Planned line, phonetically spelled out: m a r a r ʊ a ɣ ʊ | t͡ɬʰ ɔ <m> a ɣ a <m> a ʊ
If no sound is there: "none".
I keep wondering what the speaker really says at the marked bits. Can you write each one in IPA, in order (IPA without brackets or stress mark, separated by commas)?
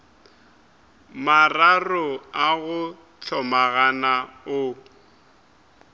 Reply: m, n